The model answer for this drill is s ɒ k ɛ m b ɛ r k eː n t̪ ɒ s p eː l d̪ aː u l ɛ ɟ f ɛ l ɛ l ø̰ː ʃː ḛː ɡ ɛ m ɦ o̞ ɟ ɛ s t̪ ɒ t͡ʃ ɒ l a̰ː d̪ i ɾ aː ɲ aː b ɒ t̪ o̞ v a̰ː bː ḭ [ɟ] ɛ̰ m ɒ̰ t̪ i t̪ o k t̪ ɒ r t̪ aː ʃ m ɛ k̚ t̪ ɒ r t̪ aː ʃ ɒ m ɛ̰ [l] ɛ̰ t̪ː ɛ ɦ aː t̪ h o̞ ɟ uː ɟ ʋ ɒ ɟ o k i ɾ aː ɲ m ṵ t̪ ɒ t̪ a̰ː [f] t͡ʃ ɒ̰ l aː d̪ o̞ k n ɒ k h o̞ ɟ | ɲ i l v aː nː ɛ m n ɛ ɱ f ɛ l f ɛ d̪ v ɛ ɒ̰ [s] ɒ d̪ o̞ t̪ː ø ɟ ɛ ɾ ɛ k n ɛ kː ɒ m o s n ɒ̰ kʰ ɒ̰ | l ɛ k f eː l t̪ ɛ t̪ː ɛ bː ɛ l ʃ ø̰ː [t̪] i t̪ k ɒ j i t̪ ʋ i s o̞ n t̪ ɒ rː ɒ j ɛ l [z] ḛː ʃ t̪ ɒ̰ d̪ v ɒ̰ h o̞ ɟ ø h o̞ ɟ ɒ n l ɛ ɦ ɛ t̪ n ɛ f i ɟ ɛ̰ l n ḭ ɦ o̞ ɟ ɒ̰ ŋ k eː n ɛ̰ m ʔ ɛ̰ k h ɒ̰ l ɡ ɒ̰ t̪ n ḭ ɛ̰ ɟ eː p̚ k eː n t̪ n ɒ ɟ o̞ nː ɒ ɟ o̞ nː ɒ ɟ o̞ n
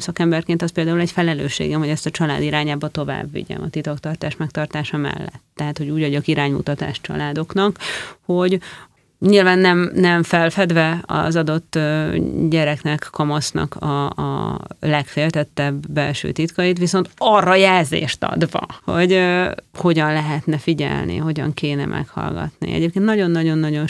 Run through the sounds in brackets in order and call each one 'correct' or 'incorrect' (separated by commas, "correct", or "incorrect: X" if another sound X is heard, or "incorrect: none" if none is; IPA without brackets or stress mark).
correct, incorrect: lː, incorrect: ʃ, incorrect: z, correct, correct